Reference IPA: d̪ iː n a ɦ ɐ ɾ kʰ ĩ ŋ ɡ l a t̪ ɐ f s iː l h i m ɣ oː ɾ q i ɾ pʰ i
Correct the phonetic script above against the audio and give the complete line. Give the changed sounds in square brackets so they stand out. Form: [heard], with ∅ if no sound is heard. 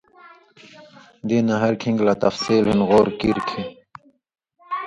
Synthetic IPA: d̪ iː n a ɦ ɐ ɾ kʰ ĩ ŋ ɡ l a t̪ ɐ f s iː l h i [n] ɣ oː ɾ [k] i ɾ [kʰ] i